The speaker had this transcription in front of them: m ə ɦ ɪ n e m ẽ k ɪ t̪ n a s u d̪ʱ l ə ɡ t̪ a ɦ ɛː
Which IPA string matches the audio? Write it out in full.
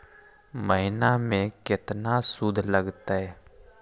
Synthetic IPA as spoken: m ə ɦ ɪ n a m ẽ k ɪ t̪ n a s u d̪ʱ l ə ɡ t̪ a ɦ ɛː